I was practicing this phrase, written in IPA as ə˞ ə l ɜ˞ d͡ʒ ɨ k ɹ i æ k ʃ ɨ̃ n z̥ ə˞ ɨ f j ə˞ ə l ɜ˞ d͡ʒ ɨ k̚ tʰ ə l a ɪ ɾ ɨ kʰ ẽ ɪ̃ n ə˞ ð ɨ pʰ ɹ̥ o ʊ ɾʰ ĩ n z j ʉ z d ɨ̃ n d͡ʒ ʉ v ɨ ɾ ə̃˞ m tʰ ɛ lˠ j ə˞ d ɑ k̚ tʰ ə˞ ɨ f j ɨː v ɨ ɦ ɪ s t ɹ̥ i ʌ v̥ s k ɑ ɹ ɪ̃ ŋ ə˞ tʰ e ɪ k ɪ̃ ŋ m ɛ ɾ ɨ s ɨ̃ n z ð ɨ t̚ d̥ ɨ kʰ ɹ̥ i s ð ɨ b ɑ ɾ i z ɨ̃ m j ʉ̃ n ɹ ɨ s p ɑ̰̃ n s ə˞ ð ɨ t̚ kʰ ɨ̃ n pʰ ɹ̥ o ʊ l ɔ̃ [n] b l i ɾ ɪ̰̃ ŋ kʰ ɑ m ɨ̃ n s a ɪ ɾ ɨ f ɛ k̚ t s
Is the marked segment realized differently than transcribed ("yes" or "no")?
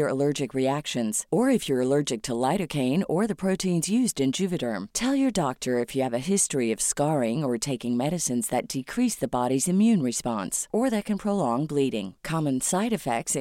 yes